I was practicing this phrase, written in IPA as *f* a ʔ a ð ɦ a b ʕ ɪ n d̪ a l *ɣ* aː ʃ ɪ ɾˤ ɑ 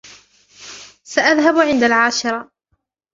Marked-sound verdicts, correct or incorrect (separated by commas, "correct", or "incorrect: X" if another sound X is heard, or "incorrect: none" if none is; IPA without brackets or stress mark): incorrect: s, incorrect: ʕ